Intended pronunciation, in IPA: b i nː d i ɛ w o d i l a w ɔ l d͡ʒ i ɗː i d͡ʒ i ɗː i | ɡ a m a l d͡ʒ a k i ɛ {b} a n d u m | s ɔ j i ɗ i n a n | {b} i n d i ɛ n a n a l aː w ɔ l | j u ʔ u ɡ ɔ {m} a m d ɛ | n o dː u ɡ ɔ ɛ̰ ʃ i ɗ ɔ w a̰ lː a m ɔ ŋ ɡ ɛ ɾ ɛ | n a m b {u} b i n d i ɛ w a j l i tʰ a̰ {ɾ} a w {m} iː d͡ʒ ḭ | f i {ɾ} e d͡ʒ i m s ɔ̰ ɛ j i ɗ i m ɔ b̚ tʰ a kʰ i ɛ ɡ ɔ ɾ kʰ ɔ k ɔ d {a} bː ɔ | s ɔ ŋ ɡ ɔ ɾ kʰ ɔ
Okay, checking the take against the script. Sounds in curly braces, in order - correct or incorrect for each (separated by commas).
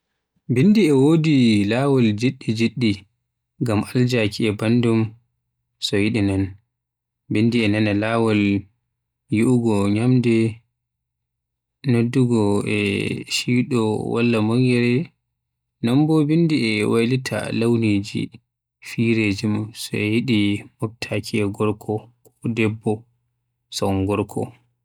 correct, correct, incorrect, incorrect, incorrect, incorrect, correct, incorrect